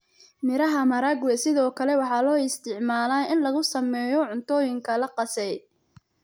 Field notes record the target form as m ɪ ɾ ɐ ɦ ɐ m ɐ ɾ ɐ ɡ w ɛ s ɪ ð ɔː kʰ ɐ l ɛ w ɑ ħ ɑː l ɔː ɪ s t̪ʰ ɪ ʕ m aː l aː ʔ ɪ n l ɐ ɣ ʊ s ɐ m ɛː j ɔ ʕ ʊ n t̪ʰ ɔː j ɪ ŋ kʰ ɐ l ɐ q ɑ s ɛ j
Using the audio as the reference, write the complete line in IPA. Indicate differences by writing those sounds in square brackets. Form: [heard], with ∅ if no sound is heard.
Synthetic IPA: m ɪ ɾ ɐ ɦ ɐ m ɐ ɾ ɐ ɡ w ɛ s ɪ ð ɔː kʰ ɐ l ɛ w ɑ ħ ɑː l ɔː ɪ s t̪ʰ ɪ ʕ m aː l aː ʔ ɪ n l ɐ ɣ ʊ s ɐ m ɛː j ɔ ʕ ʊ n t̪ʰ ɔː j ɪ ŋ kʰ ɐ l ɐ q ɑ s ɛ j

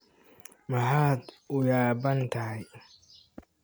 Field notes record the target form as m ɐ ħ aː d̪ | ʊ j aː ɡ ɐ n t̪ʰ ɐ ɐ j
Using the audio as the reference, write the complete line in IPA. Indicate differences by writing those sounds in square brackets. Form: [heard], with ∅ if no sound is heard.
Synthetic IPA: m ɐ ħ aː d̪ | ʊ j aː [b] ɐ n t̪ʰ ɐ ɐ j

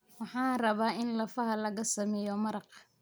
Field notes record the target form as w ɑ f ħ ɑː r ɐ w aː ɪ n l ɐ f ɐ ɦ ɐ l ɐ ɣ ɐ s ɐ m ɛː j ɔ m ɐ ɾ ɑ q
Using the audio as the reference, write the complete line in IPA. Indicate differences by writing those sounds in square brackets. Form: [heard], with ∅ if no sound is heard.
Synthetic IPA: w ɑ [∅] ħ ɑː r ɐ [β] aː ɪ n l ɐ f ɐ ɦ ɐ l ɐ ɣ ɐ s ɐ m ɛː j ɔ m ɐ ɾ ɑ q

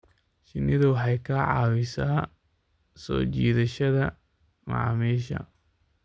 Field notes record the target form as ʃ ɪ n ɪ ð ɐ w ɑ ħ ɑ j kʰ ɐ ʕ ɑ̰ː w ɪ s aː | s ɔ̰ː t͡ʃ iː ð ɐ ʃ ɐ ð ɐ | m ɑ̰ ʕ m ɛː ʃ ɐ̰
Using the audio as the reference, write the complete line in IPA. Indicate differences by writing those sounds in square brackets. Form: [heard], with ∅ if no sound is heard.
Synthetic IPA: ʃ ɪ n ɪ ð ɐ w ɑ ħ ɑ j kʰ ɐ ʕ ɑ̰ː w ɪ s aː | s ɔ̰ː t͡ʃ iː ð ɐ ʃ ɐ ð ɐ | m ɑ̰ ʕ m [iː] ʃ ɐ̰

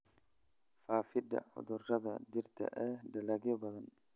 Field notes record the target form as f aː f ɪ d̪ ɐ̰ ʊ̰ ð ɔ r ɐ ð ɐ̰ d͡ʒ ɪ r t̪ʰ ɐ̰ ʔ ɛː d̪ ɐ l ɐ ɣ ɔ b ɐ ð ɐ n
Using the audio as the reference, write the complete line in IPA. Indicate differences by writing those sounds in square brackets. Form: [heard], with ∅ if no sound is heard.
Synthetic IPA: f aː f ɪ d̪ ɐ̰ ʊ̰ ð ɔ r ɐ ð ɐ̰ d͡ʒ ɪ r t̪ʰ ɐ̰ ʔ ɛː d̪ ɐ l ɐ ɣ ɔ b ɐ ð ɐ n

